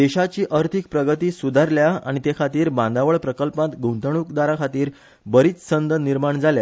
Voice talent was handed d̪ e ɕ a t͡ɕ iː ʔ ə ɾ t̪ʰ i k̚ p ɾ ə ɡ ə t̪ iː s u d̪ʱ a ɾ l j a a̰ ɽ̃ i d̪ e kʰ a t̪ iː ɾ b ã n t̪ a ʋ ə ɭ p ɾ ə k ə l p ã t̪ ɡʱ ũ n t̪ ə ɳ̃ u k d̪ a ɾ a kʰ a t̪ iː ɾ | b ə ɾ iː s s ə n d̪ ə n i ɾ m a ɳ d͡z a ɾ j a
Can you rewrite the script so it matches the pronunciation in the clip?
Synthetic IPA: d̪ e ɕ a t͡ɕ iː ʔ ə ɾ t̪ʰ i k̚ p ɾ ə ɡ ə t̪ iː s u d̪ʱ a ɾ l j a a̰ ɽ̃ i t̪ e kʰ a t̪ iː ɾ b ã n d̪ a ʋ ə ɭ p ɾ ə k ə l p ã t̪ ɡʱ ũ n t̪ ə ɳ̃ u k d̪ a ɾ a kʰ a t̪ iː ɾ | b ə ɾ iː t͡s s ə n d̪ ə n i ɾ m a ɳ d͡z a l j a